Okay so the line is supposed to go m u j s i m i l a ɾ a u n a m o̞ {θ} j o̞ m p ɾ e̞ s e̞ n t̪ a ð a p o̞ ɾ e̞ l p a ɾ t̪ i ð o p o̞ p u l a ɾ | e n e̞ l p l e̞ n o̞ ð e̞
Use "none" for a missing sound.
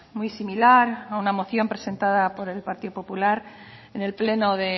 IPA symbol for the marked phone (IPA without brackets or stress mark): θ